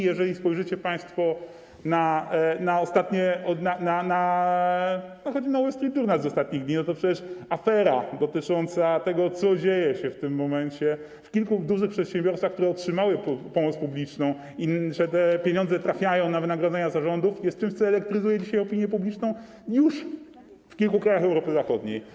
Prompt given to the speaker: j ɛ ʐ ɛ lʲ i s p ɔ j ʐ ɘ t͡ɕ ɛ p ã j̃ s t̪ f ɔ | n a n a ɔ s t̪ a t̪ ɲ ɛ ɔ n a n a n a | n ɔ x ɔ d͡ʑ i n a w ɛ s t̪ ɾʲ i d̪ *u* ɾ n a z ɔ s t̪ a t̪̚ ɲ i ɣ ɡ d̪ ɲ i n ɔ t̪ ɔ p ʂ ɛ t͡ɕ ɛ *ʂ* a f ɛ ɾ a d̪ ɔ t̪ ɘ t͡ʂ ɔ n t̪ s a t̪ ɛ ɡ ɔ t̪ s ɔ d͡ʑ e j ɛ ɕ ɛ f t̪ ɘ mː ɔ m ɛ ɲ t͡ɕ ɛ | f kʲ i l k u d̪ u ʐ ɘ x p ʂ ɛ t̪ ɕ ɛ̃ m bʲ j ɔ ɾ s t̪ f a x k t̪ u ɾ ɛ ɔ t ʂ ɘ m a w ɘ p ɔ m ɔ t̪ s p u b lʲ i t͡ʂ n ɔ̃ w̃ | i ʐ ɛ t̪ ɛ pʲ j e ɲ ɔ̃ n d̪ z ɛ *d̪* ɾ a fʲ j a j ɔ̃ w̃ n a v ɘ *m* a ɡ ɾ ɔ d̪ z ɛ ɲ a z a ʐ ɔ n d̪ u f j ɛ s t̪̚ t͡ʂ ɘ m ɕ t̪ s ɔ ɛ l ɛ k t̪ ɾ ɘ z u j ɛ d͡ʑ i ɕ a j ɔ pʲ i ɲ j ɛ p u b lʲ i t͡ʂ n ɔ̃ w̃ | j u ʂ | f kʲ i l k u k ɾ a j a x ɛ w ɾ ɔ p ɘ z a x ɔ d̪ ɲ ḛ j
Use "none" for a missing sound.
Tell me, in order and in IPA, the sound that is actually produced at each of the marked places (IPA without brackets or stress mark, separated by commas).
u, ʂ, t̪, n